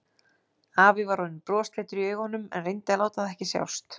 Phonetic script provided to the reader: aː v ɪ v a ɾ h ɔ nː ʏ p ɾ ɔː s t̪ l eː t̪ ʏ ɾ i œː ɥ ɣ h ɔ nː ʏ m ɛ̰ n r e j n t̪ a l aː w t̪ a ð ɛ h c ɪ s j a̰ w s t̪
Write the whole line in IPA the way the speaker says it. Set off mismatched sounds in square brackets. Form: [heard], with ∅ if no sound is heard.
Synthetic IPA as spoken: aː v ɪ v a ɾ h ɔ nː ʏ p ɾ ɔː s t̪ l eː t̪ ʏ ɾ i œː ɥ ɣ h ɔ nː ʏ m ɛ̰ n r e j n t̪ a l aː w t̪ a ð ɛ h c ɪ s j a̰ w s t̪